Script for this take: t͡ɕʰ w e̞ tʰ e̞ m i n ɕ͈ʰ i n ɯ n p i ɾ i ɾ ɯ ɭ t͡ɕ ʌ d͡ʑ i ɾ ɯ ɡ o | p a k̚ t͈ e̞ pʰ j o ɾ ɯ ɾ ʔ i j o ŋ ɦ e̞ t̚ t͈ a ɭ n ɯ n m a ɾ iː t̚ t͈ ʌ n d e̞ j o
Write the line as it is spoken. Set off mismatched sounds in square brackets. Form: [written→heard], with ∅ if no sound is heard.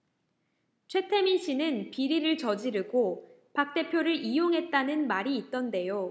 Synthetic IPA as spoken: t͡ɕʰ w e̞ tʰ e̞ m i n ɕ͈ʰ i n ɯ n p i ɾ i ɾ ɯ ɭ t͡ɕ ʌ d͡ʑ i ɾ ɯ ɡ o | p a k̚ t͈ e̞ pʰ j o ɾ ɯ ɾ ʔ i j o ŋ ɦ e̞ t̚ t͈ a [ɭ→∅] n ɯ n m a ɾ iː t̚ t͈ ʌ n d e̞ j o